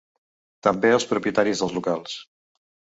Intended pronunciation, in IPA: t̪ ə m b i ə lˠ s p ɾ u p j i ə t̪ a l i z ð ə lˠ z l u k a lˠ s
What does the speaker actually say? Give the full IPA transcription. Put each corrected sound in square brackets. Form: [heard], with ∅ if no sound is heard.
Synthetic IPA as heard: t̪ ə m b [e] ə lˠ s p ɾ u p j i ə t̪ a [ɾ] i z ð ə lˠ z l u k a lˠ s